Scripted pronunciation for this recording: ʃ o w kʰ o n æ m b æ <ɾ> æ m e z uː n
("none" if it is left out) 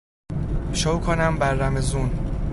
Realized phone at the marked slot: ɾː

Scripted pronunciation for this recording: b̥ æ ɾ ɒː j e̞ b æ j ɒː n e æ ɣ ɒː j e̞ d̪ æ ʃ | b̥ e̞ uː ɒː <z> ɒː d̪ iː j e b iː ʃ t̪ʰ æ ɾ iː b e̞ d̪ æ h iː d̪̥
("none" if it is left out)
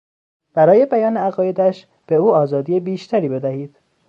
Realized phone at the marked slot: z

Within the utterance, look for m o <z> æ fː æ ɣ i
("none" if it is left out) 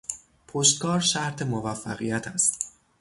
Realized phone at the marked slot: v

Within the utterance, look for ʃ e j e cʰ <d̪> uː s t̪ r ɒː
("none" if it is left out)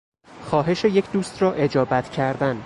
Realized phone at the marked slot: d̪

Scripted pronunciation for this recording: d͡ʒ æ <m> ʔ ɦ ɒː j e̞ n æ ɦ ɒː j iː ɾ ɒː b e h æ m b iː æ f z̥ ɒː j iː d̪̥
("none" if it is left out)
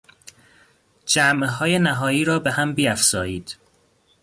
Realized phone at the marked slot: m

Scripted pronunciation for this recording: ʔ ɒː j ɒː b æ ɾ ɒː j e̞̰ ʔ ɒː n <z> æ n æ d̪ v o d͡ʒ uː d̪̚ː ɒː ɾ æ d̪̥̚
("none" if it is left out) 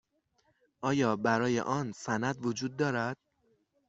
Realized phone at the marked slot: s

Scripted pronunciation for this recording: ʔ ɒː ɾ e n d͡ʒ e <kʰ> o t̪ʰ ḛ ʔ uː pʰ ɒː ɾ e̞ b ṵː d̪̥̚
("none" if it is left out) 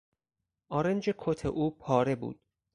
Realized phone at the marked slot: kʰ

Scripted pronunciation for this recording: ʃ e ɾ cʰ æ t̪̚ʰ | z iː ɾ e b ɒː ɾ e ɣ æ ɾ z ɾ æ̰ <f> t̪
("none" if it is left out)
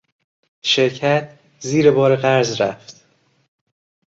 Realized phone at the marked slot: f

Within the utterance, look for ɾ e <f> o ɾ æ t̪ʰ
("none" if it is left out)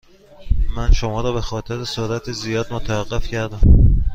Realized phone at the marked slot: s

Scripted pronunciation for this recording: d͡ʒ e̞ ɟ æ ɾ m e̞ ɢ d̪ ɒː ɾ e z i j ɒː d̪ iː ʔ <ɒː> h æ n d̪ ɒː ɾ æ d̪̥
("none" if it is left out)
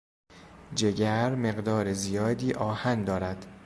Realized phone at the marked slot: ɒː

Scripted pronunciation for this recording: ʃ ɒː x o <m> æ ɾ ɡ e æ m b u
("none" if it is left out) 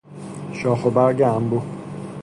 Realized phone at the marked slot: b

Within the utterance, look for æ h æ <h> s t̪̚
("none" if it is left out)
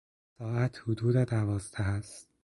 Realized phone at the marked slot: none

